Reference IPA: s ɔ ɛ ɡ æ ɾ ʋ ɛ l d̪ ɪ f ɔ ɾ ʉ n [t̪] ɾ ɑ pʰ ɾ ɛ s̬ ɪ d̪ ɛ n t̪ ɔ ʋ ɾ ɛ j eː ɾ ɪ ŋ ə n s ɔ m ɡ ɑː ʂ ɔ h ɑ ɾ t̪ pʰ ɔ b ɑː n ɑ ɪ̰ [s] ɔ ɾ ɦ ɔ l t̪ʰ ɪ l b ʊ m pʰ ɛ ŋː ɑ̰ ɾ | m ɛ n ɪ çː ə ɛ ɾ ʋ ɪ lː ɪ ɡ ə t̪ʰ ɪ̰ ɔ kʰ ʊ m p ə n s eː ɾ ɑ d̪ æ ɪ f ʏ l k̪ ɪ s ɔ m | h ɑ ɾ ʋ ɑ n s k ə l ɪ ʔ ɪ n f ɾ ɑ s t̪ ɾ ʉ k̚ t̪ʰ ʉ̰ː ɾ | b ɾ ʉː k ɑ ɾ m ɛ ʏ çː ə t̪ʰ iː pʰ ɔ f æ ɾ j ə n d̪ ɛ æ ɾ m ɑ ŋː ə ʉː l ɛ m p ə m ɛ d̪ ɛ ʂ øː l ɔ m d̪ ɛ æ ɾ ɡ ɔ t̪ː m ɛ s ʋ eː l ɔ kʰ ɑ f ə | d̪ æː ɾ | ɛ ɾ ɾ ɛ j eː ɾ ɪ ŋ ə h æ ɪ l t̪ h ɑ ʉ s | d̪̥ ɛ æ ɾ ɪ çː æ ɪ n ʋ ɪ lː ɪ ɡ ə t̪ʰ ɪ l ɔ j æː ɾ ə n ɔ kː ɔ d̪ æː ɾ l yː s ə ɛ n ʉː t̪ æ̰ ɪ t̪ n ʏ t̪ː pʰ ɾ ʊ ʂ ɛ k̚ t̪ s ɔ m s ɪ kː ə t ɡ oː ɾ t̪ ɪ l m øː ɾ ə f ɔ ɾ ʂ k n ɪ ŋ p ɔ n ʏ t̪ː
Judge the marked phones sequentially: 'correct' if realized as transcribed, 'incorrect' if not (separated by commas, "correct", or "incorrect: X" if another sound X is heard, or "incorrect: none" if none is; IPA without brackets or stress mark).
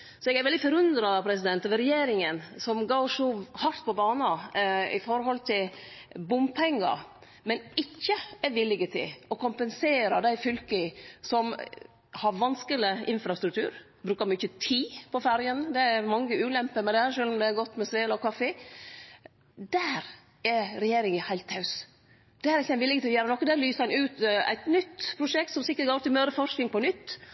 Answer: incorrect: d̪, incorrect: f